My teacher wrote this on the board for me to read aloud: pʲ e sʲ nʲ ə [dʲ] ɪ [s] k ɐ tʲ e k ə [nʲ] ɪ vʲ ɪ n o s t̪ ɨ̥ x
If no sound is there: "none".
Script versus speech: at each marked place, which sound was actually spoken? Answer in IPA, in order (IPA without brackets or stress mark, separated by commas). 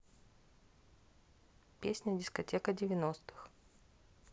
dʲ, s, dʲ